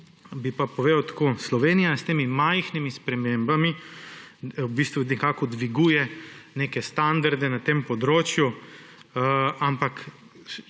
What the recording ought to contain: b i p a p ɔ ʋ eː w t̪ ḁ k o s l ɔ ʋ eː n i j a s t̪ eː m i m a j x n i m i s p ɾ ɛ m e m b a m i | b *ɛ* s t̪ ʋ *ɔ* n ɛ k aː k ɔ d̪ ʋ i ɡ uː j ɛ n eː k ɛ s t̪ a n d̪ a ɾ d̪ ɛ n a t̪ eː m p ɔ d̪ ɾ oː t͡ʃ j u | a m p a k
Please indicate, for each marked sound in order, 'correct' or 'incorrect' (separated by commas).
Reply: incorrect, incorrect